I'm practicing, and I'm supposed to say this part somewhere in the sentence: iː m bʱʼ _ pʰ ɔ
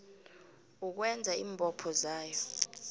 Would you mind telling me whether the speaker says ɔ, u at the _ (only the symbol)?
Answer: ɔ